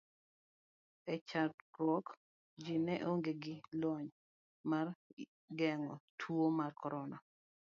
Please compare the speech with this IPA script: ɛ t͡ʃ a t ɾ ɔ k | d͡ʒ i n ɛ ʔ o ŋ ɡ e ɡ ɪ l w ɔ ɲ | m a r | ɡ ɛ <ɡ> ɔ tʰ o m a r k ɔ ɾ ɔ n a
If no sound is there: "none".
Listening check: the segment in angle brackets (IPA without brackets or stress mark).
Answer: ŋ